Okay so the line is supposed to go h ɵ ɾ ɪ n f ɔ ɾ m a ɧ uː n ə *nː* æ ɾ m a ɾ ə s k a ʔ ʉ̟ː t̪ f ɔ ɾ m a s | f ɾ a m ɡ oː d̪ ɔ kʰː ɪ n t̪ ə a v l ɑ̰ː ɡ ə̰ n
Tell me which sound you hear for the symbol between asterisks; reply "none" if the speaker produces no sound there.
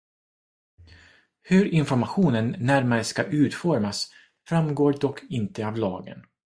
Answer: nː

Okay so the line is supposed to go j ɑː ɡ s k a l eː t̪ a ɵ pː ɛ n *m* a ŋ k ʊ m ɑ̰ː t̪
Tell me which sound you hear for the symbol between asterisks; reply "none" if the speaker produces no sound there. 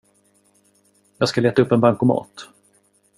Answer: b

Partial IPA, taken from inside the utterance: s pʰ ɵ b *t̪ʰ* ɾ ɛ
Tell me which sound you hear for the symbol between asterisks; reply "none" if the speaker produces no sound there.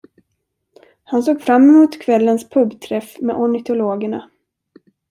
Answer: t̪ʰ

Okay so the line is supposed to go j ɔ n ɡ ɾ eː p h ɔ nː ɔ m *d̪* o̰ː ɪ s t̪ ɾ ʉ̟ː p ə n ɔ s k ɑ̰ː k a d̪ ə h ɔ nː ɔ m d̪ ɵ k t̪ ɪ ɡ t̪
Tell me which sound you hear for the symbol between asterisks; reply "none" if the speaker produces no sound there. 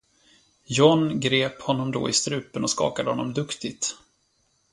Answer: d̪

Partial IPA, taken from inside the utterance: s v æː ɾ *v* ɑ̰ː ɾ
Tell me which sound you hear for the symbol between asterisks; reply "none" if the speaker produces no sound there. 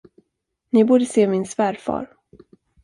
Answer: f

